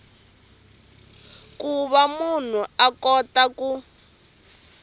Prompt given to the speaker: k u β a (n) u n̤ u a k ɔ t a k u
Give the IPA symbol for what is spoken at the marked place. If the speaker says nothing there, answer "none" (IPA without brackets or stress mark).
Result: m